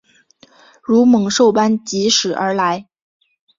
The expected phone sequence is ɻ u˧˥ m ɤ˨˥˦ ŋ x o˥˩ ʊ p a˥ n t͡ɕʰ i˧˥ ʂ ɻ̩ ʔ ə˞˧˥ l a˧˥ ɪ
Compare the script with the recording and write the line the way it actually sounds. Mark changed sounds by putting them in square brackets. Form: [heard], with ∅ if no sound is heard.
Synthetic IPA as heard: ɻ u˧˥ m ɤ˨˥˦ ŋ [ʂ] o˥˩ ʊ p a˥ n [t͡ɕ] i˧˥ ʂ ɻ̩ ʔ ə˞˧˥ l a˧˥ ɪ